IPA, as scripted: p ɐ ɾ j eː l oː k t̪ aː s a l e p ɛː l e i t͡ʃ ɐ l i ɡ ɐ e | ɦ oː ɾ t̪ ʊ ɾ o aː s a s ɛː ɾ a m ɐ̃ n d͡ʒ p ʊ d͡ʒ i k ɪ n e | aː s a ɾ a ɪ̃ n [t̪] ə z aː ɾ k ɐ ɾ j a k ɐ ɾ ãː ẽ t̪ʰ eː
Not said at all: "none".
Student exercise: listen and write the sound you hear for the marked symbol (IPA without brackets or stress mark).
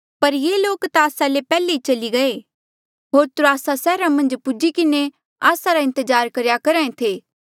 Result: t̪